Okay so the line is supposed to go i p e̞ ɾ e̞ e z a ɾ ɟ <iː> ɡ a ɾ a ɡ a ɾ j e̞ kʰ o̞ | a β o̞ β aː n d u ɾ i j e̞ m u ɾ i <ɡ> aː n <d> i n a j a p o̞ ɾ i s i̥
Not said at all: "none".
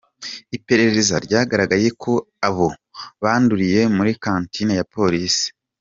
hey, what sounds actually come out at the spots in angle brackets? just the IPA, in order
aː, k, t

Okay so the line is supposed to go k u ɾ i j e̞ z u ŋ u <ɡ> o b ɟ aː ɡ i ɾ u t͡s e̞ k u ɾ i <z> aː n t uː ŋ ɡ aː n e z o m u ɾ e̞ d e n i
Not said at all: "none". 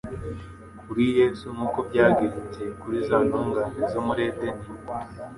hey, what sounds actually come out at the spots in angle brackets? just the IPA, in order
k, z

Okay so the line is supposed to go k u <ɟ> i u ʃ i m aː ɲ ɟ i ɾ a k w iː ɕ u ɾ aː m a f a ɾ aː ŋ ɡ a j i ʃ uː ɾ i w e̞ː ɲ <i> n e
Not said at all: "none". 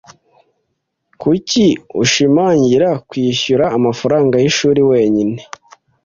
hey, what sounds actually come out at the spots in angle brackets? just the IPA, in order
c, i

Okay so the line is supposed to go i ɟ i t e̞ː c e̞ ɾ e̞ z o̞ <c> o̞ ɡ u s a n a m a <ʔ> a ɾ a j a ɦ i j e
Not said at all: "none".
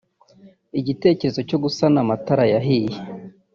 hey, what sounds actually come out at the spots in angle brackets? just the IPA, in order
c, t

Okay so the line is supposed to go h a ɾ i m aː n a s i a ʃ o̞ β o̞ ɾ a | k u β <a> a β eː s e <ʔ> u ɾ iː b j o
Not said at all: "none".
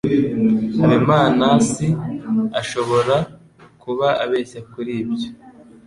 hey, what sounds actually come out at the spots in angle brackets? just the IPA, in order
a, k

